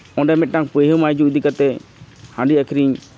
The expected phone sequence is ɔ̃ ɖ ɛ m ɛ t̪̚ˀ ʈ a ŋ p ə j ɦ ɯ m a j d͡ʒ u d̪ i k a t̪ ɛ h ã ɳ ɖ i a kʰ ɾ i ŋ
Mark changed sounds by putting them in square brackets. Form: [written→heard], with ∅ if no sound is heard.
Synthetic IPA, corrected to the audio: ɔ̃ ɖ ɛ m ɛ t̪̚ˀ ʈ a ŋ p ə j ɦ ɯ m a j d͡ʒ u d̪ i k a t̪ ɛ h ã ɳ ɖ i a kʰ ɾ i [ŋ→ɲ]